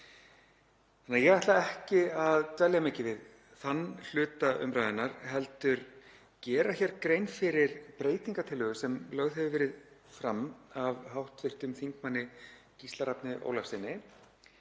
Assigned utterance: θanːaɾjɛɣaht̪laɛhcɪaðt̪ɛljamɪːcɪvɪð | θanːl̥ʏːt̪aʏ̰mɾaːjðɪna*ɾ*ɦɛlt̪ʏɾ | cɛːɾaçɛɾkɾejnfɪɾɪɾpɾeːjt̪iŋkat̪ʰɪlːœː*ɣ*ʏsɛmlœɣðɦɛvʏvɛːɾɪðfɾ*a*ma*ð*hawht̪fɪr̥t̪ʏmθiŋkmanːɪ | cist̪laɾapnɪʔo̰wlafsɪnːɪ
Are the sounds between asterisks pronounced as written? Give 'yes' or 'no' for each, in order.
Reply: yes, yes, yes, no

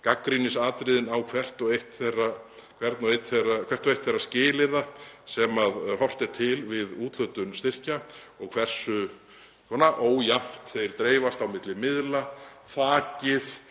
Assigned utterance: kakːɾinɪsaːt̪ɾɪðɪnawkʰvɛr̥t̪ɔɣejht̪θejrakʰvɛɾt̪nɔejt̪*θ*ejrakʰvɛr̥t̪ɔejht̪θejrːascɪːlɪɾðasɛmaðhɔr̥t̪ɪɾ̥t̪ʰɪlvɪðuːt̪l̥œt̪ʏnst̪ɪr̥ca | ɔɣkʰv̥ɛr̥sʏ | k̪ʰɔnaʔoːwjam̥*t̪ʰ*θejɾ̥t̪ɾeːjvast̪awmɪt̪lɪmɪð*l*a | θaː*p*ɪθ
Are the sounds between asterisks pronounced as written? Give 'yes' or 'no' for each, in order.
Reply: yes, no, yes, no

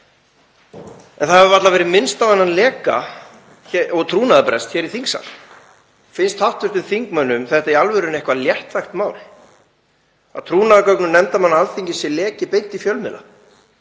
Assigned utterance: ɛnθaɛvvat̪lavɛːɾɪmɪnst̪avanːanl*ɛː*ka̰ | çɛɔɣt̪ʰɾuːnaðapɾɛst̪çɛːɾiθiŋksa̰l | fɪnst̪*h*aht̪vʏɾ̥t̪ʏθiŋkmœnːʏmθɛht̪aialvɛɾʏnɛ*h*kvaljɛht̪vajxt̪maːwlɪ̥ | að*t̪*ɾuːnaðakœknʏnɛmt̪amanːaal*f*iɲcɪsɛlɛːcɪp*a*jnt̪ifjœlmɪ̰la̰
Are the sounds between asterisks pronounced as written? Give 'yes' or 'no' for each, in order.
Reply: yes, yes, yes, no, no, no

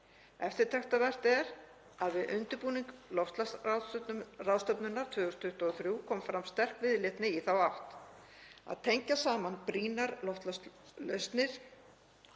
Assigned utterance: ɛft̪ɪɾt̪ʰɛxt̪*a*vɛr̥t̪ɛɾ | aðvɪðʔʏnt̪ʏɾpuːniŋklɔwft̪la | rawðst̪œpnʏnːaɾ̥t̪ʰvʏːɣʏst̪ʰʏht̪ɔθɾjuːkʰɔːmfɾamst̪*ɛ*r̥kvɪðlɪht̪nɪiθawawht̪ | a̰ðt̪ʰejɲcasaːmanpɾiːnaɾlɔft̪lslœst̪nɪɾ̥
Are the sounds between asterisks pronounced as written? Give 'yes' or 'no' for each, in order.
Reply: yes, yes

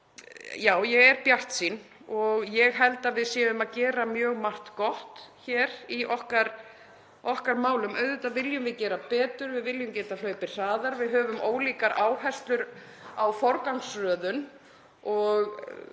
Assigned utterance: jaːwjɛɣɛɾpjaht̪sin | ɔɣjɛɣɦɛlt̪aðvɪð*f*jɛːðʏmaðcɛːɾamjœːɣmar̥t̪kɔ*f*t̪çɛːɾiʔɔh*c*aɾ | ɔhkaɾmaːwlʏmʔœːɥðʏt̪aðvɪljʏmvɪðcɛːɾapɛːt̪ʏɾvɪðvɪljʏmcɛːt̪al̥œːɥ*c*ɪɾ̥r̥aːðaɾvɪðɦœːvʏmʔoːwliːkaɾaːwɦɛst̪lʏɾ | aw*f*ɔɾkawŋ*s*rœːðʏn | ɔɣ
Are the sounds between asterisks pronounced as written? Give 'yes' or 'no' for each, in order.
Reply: no, no, no, no, yes, yes

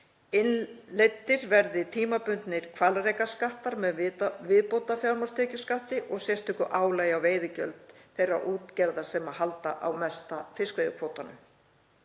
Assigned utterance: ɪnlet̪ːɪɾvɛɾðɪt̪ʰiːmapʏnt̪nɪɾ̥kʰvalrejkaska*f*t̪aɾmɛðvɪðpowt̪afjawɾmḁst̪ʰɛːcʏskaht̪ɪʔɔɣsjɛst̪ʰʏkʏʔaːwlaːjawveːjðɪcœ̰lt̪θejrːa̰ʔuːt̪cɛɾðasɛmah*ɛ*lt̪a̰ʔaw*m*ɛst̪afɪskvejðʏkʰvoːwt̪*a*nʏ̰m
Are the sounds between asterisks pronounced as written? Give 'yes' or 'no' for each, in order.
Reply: no, no, yes, yes

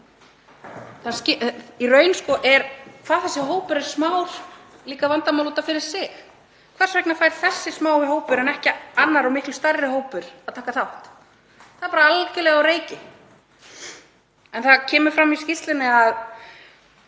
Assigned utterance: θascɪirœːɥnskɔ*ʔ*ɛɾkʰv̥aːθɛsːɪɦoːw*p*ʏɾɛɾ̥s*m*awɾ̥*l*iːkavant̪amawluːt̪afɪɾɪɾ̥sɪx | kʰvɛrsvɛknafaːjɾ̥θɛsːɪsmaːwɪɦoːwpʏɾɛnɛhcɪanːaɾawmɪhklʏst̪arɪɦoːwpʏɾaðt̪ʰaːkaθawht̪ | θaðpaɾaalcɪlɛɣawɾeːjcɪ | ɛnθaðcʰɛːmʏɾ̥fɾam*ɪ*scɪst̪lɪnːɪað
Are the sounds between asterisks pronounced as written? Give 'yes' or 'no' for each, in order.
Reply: yes, yes, yes, yes, no

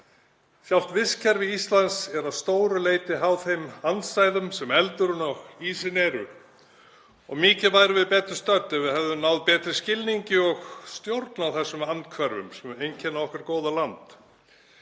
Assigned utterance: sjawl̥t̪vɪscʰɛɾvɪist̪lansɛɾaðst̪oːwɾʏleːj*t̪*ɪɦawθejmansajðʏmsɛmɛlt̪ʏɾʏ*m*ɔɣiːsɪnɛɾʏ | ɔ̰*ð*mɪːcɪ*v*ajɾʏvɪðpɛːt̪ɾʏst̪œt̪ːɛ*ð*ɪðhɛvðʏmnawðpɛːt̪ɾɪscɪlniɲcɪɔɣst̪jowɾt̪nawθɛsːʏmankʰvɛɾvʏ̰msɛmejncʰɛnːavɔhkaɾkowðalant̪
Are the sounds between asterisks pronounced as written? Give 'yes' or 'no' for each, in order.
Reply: yes, no, no, yes, no

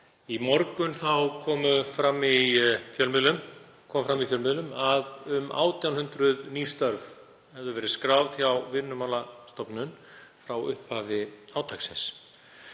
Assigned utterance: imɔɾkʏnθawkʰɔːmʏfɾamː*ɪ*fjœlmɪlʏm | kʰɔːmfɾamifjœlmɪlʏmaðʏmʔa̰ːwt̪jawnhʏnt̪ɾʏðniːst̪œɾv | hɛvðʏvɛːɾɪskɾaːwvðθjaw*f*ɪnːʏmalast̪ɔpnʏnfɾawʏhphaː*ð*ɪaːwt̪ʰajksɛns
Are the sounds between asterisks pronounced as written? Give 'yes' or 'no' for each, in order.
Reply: no, no, no

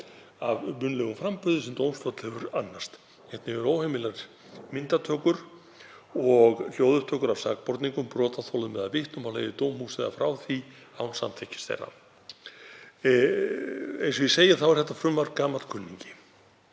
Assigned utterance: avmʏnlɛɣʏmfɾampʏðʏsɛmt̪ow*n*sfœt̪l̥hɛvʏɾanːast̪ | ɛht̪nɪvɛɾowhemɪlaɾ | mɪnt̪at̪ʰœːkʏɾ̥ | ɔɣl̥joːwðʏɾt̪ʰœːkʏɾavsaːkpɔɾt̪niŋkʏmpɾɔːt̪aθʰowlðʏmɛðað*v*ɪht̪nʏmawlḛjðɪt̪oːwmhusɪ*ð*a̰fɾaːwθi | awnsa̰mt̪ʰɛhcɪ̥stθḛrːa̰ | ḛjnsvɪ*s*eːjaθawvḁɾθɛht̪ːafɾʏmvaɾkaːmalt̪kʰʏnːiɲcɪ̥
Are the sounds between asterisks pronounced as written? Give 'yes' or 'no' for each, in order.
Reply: no, yes, yes, yes

